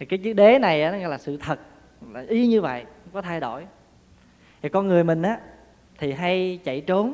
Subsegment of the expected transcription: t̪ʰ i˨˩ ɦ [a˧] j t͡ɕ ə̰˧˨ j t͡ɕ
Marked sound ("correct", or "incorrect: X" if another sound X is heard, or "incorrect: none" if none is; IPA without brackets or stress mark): correct